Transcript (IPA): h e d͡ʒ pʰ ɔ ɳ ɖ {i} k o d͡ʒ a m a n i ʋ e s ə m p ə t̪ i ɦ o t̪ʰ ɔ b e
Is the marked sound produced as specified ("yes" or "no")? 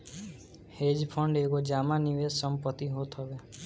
no